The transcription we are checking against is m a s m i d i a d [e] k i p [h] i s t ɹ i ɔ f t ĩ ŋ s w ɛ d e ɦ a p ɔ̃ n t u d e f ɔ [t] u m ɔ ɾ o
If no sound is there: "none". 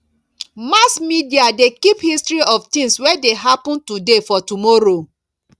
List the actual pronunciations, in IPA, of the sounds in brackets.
e, h, t

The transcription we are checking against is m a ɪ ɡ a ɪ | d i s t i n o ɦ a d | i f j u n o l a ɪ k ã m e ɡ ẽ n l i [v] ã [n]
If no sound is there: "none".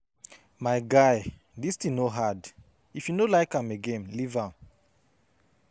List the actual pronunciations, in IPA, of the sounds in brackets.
v, m

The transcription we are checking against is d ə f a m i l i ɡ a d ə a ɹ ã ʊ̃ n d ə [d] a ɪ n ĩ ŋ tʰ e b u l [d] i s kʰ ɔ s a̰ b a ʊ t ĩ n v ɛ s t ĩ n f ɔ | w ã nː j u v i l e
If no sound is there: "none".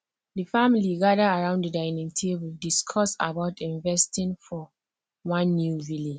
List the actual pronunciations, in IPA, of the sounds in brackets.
d, d

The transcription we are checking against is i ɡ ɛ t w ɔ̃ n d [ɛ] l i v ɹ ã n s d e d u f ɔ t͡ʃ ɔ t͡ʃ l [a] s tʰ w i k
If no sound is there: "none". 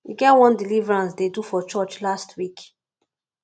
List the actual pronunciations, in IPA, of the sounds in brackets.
i, a

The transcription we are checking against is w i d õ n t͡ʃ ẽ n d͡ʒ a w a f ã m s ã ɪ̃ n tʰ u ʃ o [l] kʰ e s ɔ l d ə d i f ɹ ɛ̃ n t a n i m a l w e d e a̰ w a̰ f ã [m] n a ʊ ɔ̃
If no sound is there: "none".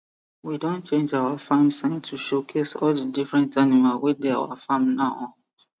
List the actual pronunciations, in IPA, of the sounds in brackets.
none, m

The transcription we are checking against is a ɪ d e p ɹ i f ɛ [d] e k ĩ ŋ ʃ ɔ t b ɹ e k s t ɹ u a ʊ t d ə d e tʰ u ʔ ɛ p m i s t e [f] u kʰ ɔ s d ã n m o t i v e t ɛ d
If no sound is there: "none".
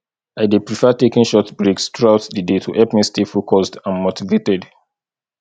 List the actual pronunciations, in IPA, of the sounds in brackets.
t, f

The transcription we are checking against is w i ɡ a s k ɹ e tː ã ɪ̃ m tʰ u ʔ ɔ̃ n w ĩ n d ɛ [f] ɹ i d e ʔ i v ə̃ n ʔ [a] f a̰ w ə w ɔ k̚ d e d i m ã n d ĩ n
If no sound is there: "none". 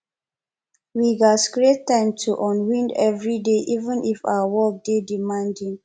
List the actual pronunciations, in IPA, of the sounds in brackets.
v, i

